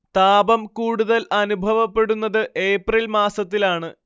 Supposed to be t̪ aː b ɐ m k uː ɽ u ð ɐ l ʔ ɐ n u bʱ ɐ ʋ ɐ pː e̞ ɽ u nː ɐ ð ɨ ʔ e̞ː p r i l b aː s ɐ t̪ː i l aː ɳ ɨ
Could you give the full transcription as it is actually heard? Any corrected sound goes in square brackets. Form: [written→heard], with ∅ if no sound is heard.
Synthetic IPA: t̪ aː b ɐ m k uː ɽ u ð ɐ l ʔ ɐ n u bʱ ɐ ʋ ɐ pː e̞ ɽ u nː ɐ ð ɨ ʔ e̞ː p r i l [b→m] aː s ɐ t̪ː i l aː ɳ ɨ